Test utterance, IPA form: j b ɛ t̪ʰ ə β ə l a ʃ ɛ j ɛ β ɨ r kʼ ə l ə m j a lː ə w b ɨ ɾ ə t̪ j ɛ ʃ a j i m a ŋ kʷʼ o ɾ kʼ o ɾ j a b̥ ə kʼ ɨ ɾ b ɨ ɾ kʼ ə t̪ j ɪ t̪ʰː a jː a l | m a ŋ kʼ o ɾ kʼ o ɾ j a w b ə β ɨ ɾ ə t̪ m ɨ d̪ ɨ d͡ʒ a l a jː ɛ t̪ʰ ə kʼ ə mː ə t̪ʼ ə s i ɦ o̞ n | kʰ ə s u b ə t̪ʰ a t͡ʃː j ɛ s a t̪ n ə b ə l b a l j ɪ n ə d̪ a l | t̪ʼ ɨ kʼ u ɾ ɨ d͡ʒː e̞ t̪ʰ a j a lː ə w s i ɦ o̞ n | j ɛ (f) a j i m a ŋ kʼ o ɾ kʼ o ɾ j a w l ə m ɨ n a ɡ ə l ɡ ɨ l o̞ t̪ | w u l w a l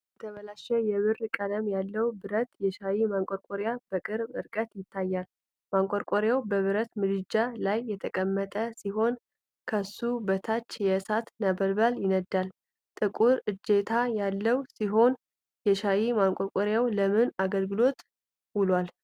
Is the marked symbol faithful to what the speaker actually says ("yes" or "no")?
no